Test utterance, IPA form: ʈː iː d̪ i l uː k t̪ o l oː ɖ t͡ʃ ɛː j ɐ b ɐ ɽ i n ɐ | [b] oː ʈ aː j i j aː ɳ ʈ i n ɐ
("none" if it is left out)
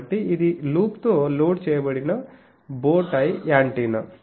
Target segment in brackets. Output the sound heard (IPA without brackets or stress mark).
b